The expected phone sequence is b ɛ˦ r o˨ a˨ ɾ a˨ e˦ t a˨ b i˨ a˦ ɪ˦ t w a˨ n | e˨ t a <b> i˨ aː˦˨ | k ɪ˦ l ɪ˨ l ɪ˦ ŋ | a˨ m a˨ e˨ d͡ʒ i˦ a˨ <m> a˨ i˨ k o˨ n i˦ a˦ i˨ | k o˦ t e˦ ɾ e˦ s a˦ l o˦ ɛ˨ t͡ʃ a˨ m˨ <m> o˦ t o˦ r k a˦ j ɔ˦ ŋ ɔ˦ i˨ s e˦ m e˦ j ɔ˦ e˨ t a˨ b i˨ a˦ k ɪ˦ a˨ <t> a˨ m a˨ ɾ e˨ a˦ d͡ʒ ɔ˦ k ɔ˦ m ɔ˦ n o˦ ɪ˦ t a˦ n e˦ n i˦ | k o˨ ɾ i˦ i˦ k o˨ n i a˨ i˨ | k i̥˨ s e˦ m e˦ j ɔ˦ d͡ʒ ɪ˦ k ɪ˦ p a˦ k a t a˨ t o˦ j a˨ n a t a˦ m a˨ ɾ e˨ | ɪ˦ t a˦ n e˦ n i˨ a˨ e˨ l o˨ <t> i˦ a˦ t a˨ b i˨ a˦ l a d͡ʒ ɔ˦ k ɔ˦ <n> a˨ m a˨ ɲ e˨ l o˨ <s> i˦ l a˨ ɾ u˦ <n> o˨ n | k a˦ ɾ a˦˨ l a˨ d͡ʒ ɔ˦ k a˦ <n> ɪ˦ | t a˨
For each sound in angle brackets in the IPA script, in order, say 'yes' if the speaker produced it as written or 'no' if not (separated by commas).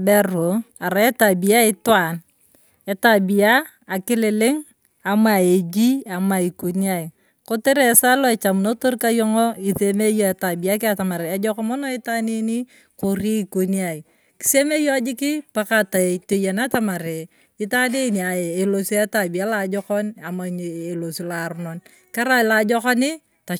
yes, yes, no, yes, no, yes, yes, yes, yes